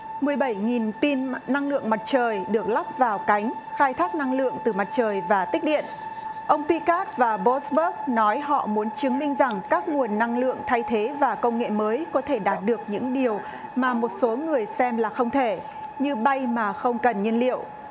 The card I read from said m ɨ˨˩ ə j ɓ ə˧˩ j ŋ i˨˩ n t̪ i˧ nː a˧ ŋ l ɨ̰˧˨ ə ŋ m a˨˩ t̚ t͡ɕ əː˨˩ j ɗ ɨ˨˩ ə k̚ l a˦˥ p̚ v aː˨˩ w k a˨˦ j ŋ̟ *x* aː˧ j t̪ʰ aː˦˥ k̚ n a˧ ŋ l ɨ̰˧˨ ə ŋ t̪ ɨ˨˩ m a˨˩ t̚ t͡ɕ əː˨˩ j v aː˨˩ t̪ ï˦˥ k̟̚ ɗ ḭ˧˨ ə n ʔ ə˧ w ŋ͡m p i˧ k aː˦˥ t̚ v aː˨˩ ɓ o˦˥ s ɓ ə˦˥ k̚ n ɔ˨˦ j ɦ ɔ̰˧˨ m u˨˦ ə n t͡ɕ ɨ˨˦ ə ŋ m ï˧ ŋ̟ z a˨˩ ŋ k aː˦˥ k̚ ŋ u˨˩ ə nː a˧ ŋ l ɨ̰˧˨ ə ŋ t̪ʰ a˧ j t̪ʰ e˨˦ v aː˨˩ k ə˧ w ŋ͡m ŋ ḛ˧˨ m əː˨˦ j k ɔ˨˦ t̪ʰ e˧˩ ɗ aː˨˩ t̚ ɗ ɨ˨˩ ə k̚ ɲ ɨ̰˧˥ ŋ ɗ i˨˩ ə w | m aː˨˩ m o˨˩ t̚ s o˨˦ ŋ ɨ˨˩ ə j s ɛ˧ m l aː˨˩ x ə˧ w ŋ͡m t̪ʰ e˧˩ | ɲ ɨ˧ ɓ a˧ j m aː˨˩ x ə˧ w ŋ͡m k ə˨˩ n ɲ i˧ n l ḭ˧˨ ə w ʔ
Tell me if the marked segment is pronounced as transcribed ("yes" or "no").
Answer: yes